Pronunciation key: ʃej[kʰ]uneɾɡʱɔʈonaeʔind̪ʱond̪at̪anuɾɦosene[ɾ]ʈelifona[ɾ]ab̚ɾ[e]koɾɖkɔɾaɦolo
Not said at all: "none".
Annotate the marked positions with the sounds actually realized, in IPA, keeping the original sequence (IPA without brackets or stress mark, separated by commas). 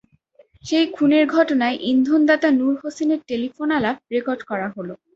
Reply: kʰ, ɾ, l, e